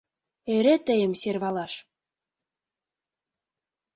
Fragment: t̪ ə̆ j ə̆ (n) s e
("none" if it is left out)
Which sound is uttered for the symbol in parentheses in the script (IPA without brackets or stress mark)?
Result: m